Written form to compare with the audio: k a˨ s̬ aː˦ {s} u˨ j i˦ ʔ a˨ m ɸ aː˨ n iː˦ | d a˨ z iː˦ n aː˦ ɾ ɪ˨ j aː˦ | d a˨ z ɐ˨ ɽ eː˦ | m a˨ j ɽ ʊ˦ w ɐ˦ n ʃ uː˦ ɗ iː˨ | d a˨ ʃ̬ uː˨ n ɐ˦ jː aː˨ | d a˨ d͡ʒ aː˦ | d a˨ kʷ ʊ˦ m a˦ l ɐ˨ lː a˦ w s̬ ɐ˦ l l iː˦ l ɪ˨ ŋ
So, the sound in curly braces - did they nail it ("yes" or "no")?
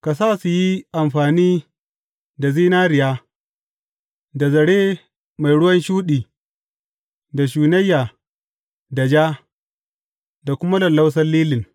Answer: yes